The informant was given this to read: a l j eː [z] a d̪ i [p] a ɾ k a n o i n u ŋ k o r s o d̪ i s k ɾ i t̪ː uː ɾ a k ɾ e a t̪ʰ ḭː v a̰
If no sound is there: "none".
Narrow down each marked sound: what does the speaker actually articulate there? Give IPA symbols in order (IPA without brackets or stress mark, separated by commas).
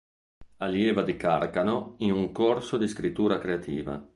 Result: v, k